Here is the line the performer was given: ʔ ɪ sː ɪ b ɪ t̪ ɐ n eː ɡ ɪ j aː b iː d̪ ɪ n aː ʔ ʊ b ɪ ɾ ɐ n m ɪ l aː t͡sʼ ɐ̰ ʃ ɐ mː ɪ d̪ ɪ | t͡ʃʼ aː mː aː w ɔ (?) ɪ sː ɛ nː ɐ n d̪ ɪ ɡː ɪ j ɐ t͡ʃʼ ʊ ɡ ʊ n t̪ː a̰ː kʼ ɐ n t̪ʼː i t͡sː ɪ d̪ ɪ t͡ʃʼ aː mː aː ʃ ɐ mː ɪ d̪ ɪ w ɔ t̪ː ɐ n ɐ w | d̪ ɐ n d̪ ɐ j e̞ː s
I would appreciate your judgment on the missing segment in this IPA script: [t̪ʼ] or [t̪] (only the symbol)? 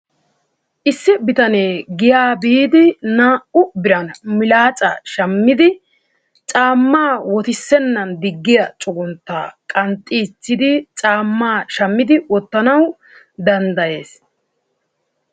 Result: t̪